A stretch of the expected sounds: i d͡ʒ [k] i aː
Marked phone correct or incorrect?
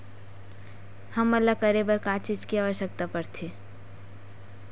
correct